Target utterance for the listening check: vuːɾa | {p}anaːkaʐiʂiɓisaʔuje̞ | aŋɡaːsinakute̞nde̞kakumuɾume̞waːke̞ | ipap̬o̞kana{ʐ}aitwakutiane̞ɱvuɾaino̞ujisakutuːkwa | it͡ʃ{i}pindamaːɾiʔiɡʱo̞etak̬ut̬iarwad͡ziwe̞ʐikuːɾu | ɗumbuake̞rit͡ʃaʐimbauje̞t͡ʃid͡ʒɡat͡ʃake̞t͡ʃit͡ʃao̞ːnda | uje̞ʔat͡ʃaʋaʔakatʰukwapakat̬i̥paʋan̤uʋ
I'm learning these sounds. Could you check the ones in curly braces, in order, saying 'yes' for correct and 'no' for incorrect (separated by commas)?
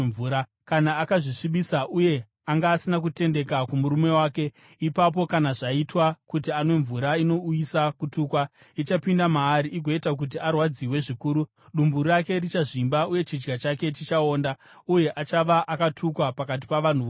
no, yes, no